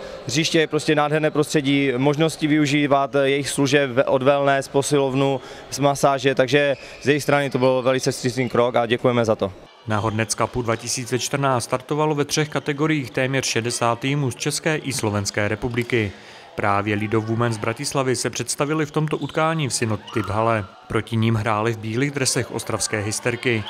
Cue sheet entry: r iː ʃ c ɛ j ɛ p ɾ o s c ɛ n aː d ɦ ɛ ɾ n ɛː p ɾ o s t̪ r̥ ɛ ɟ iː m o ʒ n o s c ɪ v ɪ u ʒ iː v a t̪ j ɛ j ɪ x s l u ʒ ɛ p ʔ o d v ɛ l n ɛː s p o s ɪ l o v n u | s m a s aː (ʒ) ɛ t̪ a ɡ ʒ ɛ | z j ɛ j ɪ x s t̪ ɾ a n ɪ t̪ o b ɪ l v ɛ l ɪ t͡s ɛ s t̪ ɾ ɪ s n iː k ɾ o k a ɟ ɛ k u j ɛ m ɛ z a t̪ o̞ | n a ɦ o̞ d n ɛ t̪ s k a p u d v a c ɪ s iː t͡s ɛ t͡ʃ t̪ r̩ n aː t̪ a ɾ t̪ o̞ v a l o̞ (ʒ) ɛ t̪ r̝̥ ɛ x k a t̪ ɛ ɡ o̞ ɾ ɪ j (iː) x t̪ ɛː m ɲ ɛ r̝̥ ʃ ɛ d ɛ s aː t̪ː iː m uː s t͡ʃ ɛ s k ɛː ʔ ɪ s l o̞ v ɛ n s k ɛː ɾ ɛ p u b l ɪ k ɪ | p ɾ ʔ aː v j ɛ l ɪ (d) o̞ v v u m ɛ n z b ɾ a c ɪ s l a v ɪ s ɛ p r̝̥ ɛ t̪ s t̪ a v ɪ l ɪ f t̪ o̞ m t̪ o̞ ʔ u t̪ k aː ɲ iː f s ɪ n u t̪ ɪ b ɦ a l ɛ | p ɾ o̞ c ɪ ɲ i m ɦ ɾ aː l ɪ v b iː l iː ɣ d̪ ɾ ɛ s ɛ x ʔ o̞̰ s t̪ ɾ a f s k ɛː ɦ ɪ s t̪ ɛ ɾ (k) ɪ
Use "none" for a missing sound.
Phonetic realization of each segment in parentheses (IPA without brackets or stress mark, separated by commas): ʒ, v, iː, d, k